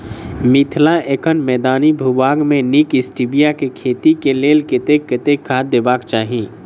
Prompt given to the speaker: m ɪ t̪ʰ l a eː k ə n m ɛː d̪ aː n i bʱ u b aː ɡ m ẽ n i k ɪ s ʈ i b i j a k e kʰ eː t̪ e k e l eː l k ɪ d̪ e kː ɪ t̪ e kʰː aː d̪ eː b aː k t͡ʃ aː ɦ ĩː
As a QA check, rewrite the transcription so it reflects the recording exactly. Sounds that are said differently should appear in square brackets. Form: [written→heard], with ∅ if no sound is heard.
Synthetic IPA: m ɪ t̪ʰ l a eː k ə n m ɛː d̪ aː n i bʱ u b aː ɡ m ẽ n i k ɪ s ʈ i b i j a k e kʰ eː t̪ [e→i] k e l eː l k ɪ [d̪→t̪] e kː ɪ t̪ e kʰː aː d̪ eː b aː k t͡ʃ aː ɦ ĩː